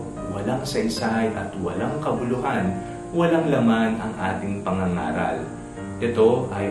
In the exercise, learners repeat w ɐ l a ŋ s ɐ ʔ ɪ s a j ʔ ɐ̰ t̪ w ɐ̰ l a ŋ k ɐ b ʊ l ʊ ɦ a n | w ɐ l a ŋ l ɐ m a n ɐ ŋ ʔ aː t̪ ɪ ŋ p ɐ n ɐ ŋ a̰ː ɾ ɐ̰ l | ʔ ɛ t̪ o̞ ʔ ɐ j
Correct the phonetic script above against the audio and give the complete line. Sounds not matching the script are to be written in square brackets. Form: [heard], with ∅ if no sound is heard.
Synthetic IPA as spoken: w ɐ l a ŋ s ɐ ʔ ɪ s a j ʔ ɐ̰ t̪ w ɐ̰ l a ŋ k ɐ b ʊ l ʊ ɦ a n | w ɐ l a ŋ l ɐ m a n ɐ ŋ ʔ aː t̪ ɪ ŋ p ɐ [ŋ] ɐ ŋ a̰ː ɾ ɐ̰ l | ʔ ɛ t̪ o̞ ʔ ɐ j